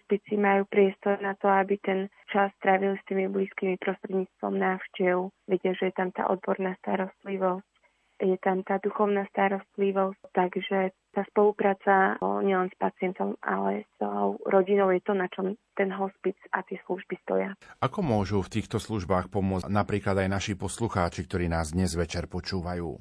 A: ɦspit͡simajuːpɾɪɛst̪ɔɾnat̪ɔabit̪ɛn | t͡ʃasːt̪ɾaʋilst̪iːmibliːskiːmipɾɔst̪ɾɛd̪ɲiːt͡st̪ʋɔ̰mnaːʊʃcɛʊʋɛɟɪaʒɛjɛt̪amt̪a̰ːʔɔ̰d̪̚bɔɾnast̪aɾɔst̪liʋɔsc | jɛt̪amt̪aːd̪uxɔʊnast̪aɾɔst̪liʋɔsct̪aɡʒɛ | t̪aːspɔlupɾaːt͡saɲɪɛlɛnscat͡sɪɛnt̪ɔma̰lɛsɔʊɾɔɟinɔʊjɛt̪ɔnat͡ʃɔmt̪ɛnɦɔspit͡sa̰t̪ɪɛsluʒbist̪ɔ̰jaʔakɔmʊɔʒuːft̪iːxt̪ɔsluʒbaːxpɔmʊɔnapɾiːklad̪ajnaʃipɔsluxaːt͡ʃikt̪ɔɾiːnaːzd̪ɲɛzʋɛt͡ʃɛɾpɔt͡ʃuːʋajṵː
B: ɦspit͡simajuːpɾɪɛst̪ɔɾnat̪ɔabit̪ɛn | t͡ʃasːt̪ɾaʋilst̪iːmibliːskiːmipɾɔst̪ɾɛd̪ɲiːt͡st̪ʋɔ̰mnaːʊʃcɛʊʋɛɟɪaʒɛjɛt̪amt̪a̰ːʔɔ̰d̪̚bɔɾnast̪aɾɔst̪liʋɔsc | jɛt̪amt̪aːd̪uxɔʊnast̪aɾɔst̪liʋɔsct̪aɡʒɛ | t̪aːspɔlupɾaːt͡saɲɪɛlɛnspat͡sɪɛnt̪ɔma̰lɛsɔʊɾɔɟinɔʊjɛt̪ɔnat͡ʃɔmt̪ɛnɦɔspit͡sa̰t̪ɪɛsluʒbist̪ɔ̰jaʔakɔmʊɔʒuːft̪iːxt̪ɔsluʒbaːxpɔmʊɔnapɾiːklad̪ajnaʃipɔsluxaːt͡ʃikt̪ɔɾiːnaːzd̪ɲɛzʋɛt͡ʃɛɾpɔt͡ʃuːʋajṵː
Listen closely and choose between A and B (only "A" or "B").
B